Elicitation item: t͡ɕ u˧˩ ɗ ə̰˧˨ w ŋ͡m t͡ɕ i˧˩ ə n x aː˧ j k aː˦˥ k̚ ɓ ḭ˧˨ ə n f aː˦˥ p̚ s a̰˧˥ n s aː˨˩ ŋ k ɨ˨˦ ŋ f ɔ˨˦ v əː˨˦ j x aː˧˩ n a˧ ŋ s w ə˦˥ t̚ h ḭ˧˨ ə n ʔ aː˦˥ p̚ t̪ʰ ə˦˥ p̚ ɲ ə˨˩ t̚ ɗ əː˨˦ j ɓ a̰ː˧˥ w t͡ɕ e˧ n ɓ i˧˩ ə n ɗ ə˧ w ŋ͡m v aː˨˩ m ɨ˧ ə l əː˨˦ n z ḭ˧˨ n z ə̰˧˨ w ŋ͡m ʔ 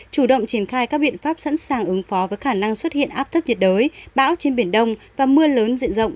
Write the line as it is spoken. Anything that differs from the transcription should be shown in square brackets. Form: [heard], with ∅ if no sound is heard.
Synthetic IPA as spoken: t͡ɕ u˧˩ ɗ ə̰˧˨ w ŋ͡m t͡ɕ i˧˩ ə n x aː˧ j k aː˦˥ k̚ ɓ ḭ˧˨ ə n f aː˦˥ p̚ s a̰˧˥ n s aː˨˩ ŋ [ʔ] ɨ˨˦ ŋ f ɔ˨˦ v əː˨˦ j x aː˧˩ n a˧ ŋ s w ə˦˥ t̚ h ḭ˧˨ ə n ʔ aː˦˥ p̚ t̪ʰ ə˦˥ p̚ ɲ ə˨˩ t̚ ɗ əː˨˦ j ɓ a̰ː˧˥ w t͡ɕ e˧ n ɓ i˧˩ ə n ɗ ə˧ w ŋ͡m v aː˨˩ m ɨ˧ ə l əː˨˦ n z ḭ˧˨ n z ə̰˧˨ w ŋ͡m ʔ

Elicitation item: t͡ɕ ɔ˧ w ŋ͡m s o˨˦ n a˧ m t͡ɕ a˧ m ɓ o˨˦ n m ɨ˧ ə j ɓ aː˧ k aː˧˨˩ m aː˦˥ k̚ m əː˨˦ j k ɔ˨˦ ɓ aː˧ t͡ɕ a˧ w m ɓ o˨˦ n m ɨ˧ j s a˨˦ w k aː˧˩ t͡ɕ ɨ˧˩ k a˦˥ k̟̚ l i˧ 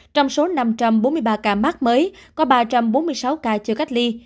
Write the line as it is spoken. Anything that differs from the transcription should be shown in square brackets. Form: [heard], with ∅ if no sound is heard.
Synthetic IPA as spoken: t͡ɕ ɔ˧ w ŋ͡m s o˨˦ n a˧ m t͡ɕ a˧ m ɓ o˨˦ n m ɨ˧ ə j ɓ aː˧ k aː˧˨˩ m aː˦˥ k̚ m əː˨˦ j k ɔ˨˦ ɓ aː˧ t͡ɕ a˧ [∅] m ɓ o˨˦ n m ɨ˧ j s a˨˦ w k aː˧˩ t͡ɕ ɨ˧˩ k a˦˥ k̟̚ l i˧

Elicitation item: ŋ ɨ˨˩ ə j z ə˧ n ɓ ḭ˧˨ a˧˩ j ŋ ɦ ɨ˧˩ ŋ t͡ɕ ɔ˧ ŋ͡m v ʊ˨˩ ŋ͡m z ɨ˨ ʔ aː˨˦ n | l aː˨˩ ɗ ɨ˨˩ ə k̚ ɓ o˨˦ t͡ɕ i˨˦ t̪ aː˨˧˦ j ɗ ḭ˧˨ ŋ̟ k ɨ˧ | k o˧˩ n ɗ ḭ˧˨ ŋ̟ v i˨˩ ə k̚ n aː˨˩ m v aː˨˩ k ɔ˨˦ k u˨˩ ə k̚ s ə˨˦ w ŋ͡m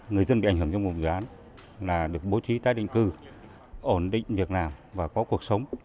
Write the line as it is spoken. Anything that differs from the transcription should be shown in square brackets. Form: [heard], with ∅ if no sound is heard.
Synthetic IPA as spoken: ŋ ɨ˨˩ ə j z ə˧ n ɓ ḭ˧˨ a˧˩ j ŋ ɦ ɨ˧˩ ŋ t͡ɕ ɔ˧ ŋ͡m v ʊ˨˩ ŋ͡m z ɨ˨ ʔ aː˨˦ n | l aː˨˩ ɗ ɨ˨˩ ə k̚ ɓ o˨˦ t͡ɕ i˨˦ t̪ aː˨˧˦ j ɗ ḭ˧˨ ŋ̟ k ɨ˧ | [ʔ] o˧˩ n ɗ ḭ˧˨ ŋ̟ v i˨˩ ə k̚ n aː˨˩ m v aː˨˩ k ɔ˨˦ k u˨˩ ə k̚ s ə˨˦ w ŋ͡m

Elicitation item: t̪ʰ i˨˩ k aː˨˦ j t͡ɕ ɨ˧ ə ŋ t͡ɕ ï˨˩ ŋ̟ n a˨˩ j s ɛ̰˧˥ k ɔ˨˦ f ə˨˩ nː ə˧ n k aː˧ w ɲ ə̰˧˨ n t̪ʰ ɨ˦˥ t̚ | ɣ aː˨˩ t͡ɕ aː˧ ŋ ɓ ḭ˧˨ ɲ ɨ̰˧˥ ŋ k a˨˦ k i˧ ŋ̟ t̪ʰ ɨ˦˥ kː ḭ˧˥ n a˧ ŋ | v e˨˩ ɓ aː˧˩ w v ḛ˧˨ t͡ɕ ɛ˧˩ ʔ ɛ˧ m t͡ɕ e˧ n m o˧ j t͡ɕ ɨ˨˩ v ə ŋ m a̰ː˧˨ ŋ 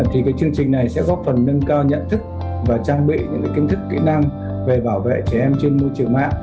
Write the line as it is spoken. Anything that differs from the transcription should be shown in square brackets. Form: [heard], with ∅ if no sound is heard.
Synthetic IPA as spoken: t̪ʰ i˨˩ k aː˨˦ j t͡ɕ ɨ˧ ə ŋ t͡ɕ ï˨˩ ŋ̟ n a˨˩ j s ɛ̰˧˥ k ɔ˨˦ f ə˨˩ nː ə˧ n k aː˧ w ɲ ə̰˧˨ n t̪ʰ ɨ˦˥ [k̚] | [v] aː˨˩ t͡ɕ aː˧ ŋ ɓ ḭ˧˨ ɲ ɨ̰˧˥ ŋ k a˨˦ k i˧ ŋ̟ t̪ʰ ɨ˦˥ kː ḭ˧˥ n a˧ ŋ | v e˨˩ ɓ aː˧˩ w v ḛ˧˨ t͡ɕ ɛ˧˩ ʔ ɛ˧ m t͡ɕ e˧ n m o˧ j t͡ɕ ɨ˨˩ [∅] ə ŋ m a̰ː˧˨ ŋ

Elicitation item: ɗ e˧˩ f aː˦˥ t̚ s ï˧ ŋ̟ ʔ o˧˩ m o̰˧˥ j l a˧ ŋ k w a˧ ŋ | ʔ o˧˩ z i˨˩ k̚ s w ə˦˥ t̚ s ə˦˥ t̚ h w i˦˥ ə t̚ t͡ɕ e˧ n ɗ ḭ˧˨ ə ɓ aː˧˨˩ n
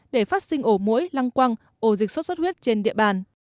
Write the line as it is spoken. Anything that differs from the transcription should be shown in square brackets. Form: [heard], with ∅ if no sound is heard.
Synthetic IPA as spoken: ɗ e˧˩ f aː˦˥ t̚ s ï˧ ŋ̟ ʔ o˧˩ m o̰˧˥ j l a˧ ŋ k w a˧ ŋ | ʔ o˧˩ z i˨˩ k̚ s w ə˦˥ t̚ s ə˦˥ t̚ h w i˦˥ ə t̚ t͡ɕ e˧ n ɗ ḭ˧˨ ə ɓ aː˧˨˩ n

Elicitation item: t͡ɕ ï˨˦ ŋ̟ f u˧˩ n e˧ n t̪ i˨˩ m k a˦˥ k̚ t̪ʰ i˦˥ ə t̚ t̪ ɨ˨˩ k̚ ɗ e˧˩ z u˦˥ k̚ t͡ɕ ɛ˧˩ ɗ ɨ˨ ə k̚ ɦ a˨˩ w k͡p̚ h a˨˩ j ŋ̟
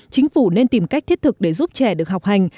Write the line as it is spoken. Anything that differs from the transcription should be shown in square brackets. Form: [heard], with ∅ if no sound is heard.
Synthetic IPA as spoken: t͡ɕ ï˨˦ ŋ̟ f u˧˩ n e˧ n t̪ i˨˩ m k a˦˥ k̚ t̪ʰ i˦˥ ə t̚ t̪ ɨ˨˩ k̚ ɗ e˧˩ z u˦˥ [p̚] t͡ɕ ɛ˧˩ ɗ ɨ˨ ə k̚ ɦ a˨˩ w k͡p̚ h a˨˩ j ŋ̟

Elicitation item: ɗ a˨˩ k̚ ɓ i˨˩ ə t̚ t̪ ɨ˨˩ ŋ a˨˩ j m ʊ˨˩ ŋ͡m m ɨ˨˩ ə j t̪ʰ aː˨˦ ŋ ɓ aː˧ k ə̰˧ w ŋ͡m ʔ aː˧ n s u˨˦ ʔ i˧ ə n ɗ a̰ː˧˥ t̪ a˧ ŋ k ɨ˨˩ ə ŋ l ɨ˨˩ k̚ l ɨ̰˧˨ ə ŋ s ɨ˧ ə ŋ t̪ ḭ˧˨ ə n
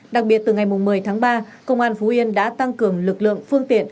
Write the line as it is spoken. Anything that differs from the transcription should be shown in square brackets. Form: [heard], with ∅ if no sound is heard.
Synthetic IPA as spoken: ɗ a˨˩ k̚ ɓ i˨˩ ə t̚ t̪ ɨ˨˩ ŋ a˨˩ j m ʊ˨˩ ŋ͡m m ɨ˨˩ ə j t̪ʰ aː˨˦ ŋ ɓ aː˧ k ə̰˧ w ŋ͡m ʔ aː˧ n [f] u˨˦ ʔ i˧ ə n ɗ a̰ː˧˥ t̪ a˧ ŋ k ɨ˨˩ ə ŋ l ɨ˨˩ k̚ l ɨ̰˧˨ ə ŋ [f] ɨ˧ ə ŋ t̪ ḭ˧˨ ə n

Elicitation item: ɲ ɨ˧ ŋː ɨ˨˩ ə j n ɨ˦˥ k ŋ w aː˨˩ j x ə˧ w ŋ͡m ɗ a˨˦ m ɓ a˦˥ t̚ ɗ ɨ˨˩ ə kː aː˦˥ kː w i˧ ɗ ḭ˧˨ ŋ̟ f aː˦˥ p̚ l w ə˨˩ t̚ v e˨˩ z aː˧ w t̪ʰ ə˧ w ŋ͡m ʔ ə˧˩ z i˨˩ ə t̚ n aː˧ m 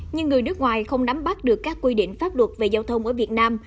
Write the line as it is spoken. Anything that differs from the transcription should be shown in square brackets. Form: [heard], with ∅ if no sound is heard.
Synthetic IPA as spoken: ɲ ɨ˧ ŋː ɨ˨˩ ə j n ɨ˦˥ k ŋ w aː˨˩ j x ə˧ w ŋ͡m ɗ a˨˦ m ɓ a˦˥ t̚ ɗ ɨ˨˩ ə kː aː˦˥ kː w i˧ ɗ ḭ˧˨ ŋ̟ f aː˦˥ p̚ l w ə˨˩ t̚ v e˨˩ z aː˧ w t̪ʰ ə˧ w ŋ͡m ʔ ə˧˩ [v] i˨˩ ə t̚ n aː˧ m

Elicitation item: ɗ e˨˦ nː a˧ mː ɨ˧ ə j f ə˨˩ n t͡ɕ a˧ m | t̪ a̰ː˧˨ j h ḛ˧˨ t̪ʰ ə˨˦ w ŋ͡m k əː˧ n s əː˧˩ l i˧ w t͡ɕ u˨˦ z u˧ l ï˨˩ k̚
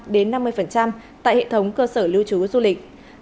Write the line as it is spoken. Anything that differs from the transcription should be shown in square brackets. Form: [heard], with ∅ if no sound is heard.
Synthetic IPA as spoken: ɗ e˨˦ nː a˧ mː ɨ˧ ə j f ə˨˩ n t͡ɕ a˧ m | t̪ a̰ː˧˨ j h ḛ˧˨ t̪ʰ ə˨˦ w ŋ͡m k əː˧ [∅] s əː˧˩ l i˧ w t͡ɕ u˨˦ z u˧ l ï˨˩ k̚

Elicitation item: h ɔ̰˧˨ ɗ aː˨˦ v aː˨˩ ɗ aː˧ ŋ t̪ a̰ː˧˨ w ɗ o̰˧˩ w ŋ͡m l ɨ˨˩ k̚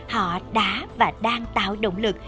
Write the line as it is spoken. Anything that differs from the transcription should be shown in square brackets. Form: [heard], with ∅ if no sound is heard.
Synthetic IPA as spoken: h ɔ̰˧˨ ɗ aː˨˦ v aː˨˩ ɗ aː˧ ŋ t̪ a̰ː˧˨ w ɗ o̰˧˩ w ŋ͡m l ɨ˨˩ k̚

